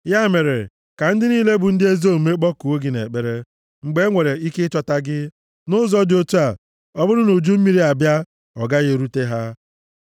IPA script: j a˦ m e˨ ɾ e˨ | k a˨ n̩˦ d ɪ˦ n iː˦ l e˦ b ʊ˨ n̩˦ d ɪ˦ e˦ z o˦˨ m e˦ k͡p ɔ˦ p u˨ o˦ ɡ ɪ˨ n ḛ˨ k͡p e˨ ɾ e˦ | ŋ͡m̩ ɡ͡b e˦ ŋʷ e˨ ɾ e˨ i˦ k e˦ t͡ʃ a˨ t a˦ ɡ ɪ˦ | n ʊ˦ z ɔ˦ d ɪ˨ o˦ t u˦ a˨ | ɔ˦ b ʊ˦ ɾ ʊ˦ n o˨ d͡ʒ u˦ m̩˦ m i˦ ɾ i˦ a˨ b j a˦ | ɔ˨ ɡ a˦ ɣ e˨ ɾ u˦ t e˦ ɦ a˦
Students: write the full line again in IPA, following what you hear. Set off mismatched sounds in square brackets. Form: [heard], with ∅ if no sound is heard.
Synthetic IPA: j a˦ m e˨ ɾ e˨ | k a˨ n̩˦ d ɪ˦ n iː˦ l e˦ b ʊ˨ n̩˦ d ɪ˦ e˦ z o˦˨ m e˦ k͡p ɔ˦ [k] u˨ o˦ ɡ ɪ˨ n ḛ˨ k͡p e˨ ɾ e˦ | ŋ͡m̩ ɡ͡b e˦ ŋʷ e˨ ɾ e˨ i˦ k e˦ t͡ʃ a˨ t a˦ ɡ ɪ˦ | n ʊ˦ z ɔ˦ d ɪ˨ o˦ t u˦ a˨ | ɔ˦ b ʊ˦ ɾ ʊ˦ n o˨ d͡ʒ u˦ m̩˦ m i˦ ɾ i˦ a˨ b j a˦ | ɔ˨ ɡ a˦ ɣ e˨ ɾ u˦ t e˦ ɦ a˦